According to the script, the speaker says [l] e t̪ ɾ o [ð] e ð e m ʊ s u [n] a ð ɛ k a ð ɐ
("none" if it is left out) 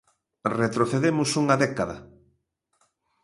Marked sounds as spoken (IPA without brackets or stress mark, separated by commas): r, θ, ŋ